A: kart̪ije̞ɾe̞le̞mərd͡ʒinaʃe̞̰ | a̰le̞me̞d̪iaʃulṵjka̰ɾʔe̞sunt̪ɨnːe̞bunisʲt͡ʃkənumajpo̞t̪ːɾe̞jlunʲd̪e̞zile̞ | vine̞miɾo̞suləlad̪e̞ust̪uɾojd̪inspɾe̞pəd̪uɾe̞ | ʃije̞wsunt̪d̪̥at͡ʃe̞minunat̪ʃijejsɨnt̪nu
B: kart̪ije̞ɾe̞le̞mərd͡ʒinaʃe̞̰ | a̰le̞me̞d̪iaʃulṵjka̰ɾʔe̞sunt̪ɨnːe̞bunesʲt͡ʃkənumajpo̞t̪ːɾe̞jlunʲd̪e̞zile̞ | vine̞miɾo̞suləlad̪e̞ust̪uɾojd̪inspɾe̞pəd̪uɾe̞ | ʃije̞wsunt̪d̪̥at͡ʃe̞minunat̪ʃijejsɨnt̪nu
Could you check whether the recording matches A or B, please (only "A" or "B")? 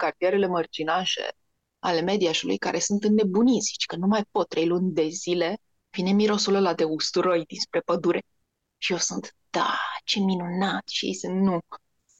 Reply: A